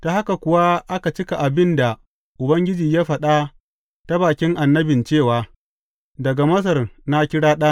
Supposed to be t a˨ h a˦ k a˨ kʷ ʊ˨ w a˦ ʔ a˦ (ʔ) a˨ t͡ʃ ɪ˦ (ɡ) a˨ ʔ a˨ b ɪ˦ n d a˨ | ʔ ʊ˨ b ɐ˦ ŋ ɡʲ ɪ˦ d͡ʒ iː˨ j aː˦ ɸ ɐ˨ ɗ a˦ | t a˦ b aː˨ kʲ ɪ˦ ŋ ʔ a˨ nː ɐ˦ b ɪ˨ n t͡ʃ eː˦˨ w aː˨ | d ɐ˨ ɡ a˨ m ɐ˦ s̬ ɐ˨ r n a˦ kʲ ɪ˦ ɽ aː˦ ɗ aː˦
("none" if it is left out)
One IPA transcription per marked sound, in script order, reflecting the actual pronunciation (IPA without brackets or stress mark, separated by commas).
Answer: k, k